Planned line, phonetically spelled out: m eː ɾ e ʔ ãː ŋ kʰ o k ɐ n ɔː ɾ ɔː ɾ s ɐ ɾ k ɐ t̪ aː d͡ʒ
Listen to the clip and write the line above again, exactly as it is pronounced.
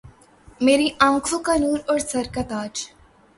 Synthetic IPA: m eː ɾ i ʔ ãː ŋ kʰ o k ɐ n uː ɾ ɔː ɾ s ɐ ɾ k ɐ t̪ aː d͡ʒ

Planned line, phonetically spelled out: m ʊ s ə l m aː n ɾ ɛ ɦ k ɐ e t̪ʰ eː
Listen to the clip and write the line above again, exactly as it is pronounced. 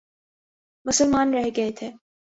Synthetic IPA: m ʊ s ə l m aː n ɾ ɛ ɦ ɡ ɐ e t̪ʰ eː

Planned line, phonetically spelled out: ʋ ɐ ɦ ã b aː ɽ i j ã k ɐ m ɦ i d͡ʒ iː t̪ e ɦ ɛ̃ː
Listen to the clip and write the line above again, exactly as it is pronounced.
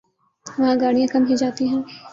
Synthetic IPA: ʋ ɐ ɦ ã ɡ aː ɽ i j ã k ɐ m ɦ i d͡ʒ aː t̪ i ɦ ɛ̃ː

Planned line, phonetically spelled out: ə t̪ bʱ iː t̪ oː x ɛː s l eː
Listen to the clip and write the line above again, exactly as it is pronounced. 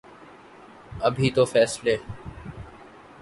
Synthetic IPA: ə bʱ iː t̪ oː f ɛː s l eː

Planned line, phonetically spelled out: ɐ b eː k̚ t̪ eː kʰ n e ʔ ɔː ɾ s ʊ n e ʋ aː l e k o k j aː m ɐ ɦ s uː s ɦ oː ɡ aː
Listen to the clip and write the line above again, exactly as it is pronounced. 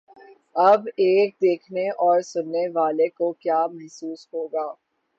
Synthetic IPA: ɐ b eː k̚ d̪ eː kʰ n e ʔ ɔː ɾ s ʊ nː e ʋ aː l e k o k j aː m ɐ ɦ s uː s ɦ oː ɡ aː

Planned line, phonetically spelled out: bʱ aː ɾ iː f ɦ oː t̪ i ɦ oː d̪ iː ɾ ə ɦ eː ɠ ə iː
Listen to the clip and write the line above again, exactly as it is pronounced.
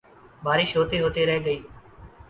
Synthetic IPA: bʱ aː ɾ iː ʃ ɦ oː t̪ iː ɦ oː t̪ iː ɾ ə ɦ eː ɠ ə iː

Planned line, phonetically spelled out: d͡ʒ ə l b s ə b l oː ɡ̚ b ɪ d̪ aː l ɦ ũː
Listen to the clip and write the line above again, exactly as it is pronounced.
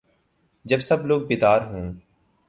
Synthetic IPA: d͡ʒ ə b s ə b l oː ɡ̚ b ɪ d̪ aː ɾ ɦ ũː

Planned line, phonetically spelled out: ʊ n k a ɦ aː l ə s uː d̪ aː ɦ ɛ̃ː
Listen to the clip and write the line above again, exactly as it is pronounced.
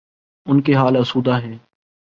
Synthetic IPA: ʊ n k e ɦ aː l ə s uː d̪ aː ɦ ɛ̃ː

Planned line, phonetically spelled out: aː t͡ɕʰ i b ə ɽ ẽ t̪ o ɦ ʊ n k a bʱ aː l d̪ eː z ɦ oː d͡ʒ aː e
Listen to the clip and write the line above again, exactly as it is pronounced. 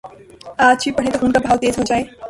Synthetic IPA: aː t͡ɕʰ i p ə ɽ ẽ t̪ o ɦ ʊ n k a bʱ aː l t̪ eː z ɦ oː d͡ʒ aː e

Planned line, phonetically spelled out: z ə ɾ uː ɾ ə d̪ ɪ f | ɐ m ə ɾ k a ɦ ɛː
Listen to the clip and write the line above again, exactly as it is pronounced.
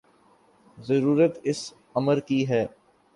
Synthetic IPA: z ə ɾ uː ɾ ə t̪ ɪ s | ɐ m ə ɾ k i ɦ ɛː

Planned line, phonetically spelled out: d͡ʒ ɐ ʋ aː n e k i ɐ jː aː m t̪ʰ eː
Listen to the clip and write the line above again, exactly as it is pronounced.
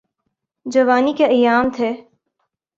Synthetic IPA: d͡ʒ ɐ ʋ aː n i k e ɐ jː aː m t̪ʰ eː

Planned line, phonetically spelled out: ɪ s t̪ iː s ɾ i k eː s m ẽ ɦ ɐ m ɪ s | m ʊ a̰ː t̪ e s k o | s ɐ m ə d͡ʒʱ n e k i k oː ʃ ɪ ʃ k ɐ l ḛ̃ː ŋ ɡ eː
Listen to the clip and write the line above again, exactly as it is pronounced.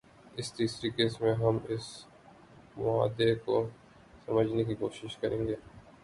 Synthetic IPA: ɪ s t̪ iː s ɾ i k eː s m ẽ ɦ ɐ m ɪ s | m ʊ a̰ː d̪ e k o | s ɐ m ə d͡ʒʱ n e k i k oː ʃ ɪ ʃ k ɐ ɾ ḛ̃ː ŋ ɡ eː

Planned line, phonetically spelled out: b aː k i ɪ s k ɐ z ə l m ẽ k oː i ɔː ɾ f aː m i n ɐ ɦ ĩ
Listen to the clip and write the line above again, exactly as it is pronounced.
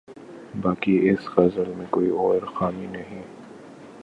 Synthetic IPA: b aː k i ɪ s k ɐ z ə l m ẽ k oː i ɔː ɾ x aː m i n ɐ ɦ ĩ

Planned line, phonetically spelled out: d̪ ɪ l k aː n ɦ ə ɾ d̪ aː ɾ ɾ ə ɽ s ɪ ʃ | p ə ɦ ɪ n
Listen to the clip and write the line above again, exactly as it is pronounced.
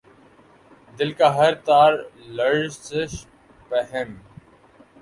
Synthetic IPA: d̪ ɪ l k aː ɦ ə ɾ t̪ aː ɾ l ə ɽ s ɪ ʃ | p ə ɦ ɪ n

